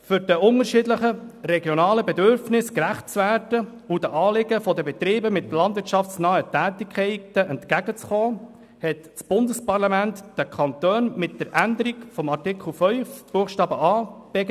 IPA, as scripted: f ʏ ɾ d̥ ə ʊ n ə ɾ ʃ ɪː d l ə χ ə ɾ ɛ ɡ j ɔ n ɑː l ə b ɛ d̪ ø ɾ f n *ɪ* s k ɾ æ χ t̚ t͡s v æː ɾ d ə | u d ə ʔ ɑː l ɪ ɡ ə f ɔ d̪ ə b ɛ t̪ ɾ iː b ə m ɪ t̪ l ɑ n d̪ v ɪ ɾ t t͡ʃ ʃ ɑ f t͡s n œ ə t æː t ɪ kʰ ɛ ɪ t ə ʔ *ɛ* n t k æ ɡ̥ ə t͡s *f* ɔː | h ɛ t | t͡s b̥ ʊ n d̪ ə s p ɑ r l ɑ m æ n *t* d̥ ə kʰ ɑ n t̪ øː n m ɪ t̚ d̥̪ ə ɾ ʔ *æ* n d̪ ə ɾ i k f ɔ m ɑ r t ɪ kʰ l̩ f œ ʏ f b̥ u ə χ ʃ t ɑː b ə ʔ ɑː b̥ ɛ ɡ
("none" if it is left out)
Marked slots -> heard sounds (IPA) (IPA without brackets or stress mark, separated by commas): ɪ, ɛ, χ, t, æ